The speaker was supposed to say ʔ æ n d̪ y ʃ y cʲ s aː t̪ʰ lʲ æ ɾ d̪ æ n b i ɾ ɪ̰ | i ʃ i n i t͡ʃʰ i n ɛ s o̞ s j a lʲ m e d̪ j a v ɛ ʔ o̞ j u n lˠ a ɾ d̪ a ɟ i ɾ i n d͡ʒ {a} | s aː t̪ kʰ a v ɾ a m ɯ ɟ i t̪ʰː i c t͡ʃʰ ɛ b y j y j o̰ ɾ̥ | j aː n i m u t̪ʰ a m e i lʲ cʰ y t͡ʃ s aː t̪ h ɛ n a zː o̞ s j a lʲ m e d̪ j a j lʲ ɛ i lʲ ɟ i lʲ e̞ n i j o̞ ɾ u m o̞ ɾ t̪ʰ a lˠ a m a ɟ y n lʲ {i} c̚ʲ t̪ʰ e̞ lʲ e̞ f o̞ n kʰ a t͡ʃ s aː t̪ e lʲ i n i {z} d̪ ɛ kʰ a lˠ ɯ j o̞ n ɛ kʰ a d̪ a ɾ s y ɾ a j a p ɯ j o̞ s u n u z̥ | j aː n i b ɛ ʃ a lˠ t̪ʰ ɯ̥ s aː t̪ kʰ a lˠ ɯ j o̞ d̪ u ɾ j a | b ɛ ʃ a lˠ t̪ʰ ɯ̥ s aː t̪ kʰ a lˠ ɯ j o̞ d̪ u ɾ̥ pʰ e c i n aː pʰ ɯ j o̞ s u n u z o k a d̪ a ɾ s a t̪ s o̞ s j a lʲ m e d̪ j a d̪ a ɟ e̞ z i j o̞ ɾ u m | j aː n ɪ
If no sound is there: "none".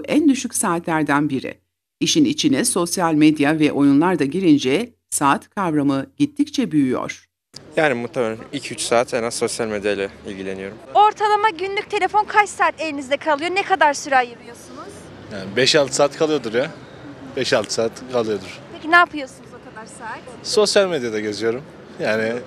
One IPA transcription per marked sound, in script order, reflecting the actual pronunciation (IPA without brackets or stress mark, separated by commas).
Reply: ɛ, y, z